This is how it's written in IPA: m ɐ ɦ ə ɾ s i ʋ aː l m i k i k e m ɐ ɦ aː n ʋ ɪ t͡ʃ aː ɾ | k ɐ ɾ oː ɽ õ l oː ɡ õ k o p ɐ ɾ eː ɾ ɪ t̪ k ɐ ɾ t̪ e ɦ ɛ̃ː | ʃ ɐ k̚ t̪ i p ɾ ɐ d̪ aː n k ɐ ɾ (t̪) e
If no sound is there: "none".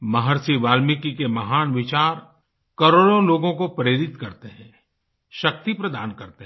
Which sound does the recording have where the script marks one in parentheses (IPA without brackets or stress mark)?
t̪